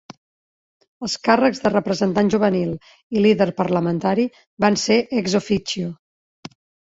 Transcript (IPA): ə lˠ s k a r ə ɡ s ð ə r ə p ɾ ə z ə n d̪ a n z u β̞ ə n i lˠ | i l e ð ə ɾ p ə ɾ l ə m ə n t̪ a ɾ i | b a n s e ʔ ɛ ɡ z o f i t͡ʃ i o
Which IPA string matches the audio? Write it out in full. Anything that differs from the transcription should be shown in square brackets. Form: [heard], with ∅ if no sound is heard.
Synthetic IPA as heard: ə lˠ s k a r ə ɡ [z] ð ə r ə p ɾ ə z ə n [t̪] a n [ʒ] u β̞ ə n i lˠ | i l [i] ð ə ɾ p ə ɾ l ə m ə n t̪ a ɾ i | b a n s e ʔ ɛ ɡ z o f i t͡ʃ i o